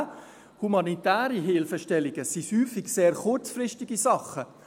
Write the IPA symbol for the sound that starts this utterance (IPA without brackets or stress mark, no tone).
h